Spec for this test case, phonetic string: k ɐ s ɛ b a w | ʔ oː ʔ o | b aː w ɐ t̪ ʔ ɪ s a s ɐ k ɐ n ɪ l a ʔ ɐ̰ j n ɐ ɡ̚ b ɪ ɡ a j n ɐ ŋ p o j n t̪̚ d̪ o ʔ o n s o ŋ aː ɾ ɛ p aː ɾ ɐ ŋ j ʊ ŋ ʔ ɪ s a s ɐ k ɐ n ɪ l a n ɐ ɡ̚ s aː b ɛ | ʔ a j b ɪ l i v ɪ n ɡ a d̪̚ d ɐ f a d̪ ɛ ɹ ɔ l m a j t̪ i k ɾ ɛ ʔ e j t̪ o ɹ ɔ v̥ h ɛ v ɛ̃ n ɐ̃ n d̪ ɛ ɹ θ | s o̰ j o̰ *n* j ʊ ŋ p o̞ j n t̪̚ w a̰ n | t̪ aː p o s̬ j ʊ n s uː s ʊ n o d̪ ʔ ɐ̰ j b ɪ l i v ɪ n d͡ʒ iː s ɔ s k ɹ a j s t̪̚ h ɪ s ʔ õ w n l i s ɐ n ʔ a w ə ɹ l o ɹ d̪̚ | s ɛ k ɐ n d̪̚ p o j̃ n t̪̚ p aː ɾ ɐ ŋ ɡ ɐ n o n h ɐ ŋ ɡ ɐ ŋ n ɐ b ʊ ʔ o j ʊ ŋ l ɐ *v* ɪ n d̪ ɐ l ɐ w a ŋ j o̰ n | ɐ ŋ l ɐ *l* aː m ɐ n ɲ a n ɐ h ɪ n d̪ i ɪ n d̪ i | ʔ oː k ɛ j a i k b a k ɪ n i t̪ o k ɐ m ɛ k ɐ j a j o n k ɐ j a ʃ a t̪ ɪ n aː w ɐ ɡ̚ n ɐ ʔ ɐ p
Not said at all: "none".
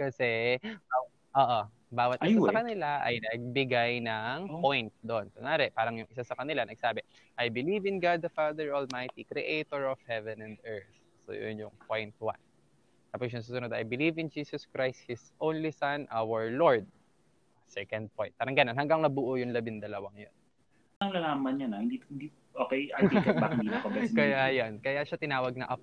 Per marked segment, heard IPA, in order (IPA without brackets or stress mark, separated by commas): n, b, l